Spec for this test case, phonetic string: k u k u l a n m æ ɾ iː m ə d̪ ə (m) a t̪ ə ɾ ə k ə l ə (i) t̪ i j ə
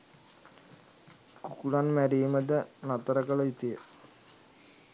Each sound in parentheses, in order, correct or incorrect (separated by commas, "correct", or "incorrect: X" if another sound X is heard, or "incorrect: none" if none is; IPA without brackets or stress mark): incorrect: n, correct